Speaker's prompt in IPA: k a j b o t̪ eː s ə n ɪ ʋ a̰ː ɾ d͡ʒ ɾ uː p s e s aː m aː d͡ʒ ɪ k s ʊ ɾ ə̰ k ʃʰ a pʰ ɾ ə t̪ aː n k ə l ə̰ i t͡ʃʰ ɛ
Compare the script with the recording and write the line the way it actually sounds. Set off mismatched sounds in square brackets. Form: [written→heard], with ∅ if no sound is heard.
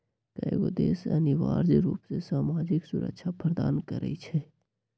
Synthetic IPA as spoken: k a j [b→ɡ] o [t̪→d̪] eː s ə n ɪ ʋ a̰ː ɾ d͡ʒ ɾ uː p s e s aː m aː d͡ʒ ɪ k s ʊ ɾ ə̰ k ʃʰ a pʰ ɾ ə [t̪→d̪] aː n k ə [l→ɾ] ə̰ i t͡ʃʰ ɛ